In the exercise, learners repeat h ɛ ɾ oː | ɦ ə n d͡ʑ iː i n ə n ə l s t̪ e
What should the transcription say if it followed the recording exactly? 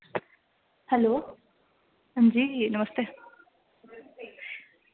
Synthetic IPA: h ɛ l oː | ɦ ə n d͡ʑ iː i n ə m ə s t̪ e